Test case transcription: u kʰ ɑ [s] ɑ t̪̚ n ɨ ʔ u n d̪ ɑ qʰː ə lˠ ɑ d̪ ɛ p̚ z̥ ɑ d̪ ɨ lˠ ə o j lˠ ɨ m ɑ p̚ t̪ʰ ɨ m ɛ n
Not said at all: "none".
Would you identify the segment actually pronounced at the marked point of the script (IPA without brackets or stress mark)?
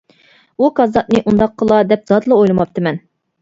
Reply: z